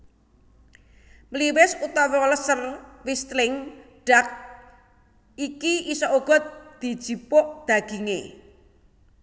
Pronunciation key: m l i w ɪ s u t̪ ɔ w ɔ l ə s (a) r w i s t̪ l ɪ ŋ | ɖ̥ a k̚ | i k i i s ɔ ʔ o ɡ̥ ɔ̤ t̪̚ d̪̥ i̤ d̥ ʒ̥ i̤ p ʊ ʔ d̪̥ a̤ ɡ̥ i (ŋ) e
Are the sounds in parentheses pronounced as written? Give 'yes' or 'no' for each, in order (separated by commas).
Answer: no, yes